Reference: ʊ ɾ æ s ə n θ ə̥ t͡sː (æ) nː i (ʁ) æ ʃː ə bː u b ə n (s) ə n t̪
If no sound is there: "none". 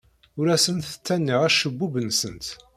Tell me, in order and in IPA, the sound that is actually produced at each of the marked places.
æ, ʁ, s

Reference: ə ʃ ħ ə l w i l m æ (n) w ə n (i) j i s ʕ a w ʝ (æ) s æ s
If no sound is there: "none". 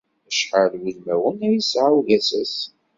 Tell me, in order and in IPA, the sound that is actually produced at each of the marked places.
none, æ, æ

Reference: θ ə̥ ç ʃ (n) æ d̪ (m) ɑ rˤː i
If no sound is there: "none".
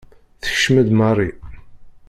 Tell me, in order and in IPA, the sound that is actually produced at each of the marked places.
m, m

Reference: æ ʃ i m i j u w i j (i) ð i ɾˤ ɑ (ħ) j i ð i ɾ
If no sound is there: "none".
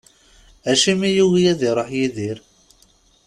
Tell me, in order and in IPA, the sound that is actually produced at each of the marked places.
æ, ħ

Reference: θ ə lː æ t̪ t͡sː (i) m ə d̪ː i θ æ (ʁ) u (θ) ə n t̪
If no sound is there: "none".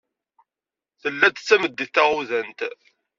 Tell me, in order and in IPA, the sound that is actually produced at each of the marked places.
æ, ʁ, ð

